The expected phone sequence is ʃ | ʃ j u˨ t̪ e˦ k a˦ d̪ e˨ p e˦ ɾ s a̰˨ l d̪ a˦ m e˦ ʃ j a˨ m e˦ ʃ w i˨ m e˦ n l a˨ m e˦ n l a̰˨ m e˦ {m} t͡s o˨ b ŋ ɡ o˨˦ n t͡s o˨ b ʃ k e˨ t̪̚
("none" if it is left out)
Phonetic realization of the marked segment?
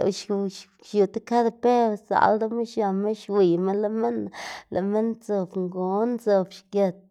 n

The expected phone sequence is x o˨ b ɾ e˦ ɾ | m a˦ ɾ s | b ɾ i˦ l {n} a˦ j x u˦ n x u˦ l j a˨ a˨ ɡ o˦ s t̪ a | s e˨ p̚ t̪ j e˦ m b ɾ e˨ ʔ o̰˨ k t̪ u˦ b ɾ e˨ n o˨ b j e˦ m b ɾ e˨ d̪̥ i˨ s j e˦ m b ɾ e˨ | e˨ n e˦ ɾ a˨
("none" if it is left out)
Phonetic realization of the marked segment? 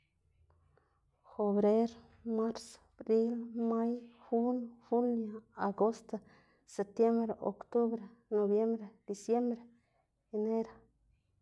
m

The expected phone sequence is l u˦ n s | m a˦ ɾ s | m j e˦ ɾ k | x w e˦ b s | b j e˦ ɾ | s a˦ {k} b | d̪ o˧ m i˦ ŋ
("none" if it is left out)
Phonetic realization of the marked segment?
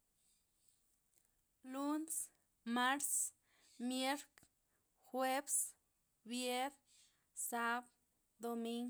none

